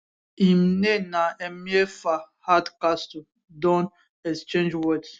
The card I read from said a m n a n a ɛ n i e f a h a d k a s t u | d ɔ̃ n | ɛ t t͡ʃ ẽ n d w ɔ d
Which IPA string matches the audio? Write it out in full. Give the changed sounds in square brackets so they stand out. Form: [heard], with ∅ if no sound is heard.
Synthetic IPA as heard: [i] m n [e] n a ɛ [m] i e f a h a d k a s t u | d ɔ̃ n | ɛ [s] t͡ʃ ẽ n [d͡ʒ] w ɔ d